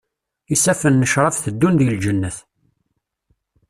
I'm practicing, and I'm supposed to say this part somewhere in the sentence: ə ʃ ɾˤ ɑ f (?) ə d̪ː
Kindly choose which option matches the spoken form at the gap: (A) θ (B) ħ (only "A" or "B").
A